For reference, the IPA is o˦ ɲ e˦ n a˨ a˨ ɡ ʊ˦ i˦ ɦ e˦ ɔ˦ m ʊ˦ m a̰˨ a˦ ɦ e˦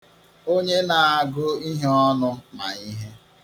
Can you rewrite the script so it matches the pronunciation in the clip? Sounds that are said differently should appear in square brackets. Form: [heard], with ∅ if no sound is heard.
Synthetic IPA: o˦ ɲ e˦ n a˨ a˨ ɡ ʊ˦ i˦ ɦ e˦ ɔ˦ [n] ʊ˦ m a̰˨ [i˦] ɦ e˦